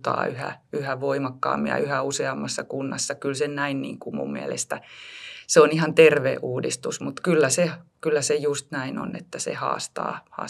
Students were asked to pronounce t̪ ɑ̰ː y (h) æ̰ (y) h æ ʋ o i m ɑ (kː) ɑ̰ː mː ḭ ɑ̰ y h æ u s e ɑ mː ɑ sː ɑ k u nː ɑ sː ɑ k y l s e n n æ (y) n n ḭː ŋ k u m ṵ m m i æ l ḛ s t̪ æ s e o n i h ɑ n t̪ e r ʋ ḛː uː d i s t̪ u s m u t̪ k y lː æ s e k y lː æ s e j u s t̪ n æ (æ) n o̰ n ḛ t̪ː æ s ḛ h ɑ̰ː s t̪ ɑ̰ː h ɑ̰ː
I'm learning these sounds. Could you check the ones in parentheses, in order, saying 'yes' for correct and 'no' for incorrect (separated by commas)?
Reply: yes, yes, yes, no, no